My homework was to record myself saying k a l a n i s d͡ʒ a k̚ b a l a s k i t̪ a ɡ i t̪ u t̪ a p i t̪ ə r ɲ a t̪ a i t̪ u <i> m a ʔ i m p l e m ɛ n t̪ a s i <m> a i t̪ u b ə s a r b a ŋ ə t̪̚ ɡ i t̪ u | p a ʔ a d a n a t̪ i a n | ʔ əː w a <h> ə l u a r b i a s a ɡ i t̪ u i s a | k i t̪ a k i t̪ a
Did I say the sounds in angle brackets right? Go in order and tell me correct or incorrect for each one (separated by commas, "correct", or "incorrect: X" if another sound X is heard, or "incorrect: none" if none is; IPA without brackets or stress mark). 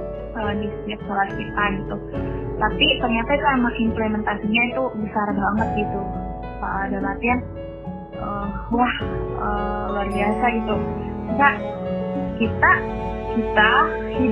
incorrect: a, incorrect: ɲ, correct